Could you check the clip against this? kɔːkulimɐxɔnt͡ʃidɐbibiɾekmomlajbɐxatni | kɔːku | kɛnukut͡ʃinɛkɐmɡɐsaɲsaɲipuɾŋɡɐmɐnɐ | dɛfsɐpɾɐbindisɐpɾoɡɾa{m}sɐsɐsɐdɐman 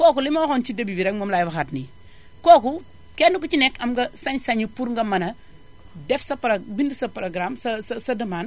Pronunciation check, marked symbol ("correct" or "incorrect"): correct